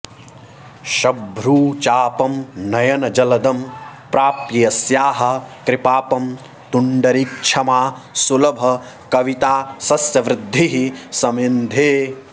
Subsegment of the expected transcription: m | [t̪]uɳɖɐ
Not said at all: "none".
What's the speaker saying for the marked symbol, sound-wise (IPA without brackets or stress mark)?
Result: t̪